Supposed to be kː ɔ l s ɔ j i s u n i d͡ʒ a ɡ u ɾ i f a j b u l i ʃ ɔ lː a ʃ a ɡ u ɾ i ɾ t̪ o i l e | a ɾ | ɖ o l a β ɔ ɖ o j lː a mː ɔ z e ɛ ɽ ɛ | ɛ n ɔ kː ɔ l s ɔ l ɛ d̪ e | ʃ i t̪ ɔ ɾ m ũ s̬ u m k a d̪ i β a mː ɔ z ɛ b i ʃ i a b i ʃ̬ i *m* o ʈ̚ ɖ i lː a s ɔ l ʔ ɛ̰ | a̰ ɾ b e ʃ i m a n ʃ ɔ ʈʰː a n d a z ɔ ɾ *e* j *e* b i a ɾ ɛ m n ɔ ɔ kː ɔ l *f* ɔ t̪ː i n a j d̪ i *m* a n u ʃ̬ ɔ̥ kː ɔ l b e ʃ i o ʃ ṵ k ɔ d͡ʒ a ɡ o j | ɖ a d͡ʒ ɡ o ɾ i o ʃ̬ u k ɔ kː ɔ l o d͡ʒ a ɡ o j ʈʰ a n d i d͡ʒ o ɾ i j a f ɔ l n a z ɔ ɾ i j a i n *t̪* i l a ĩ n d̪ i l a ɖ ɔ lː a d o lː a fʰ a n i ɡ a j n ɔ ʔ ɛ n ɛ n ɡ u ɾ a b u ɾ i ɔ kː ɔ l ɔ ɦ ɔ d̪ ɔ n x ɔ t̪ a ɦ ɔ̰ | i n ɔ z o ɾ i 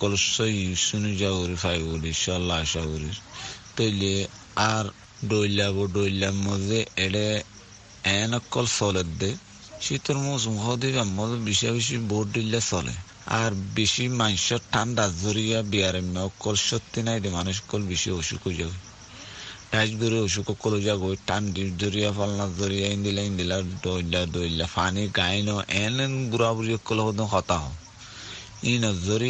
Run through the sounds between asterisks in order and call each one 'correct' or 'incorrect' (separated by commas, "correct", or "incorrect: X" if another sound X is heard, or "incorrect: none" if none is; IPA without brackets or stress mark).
incorrect: b, incorrect: i, incorrect: a, incorrect: ʃ, correct, incorrect: d̪